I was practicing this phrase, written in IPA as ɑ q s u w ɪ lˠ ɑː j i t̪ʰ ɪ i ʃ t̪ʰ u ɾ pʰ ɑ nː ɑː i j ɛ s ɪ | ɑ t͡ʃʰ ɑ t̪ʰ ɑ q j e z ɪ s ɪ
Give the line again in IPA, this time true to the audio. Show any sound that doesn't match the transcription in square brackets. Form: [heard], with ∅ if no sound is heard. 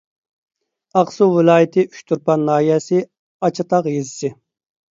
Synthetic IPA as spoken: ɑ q s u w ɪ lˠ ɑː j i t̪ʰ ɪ [y] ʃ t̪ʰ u ɾ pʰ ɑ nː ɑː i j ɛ s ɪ | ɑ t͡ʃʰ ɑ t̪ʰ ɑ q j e z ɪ s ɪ